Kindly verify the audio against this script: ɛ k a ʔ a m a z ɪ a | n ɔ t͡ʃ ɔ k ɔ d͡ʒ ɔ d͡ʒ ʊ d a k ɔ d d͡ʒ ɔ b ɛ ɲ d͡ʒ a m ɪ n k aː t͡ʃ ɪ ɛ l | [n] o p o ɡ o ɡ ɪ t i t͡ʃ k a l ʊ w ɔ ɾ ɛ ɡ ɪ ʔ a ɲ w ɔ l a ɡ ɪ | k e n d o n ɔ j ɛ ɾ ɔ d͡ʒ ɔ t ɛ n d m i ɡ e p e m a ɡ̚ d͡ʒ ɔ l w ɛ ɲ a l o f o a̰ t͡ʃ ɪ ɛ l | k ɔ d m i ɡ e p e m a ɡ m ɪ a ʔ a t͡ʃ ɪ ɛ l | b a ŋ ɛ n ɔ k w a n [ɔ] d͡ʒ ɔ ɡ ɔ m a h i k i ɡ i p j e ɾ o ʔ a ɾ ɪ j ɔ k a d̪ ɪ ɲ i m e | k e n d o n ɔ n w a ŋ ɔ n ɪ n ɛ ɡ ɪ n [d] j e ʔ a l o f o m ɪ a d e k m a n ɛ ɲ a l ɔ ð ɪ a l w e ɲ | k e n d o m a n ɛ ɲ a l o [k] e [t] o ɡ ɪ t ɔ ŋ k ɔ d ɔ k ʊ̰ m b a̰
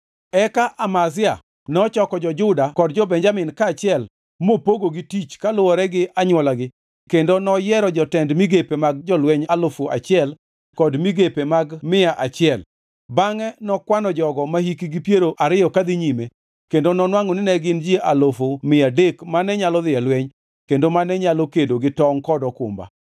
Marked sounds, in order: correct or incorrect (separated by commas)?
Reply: incorrect, correct, incorrect, correct, incorrect